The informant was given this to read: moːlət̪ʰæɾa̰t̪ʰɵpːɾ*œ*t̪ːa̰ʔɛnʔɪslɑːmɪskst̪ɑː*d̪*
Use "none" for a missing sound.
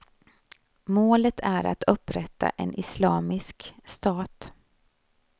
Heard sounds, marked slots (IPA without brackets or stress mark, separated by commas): ɛ, t̪